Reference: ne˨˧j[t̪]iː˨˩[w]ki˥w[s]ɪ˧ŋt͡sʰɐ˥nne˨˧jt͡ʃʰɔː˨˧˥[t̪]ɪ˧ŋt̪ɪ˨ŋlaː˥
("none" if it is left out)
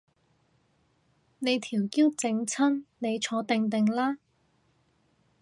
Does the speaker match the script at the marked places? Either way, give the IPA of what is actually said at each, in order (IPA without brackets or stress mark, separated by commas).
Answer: t̪ʰ, w, t͡s, t̪